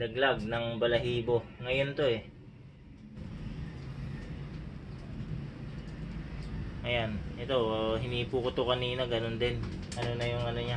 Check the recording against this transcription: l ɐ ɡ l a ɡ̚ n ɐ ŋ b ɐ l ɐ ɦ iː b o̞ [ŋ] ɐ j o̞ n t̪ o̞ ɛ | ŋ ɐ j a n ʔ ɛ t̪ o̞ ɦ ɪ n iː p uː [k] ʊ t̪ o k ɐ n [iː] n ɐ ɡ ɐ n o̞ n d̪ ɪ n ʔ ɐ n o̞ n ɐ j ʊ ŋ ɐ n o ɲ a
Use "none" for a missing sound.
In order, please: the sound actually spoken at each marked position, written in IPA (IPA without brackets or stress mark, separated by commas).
ŋ, k, iː